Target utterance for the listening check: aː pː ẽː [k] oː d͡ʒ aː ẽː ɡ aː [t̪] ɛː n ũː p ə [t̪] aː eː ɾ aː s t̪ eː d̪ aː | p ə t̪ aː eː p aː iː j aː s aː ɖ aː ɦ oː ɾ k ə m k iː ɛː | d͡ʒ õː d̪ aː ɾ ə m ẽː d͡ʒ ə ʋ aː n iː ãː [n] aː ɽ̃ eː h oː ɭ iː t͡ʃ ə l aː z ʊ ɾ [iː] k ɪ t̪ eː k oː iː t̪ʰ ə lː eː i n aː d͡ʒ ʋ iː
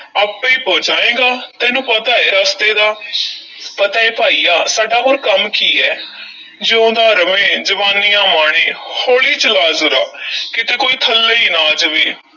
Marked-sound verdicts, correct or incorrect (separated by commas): incorrect, correct, correct, incorrect, incorrect